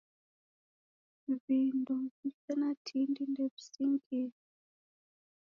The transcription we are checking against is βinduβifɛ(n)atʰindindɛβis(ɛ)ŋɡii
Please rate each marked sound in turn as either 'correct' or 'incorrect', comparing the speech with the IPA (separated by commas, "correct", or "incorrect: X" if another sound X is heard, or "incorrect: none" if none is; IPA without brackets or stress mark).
correct, incorrect: i